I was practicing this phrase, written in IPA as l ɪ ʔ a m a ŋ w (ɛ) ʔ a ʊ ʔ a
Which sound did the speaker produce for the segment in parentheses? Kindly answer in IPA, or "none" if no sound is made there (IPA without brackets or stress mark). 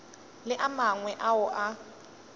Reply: ɛ